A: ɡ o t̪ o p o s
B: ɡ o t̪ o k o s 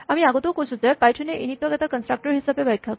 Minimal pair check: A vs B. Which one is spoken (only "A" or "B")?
B